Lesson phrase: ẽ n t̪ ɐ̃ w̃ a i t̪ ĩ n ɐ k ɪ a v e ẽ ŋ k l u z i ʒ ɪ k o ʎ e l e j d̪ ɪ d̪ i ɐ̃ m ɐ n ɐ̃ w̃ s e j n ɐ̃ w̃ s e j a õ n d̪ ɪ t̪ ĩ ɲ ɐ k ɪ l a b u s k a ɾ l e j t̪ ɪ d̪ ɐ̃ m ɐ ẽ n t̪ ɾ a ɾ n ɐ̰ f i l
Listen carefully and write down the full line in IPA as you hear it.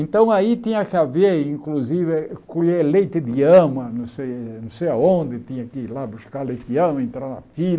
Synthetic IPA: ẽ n t̪ ɐ̃ w̃ a i t̪ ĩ ɲ ɐ k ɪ a v e ĩ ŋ k l u z i v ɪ k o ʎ e l e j t̪ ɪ d̪ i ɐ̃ m ɐ n ɐ̃ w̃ s e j n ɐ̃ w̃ s e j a õ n d̪ ɪ t̪ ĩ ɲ ɐ k ɪ l a b u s k a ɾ l e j t̪ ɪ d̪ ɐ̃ m ɐ ẽ n t̪ ɾ a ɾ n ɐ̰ f i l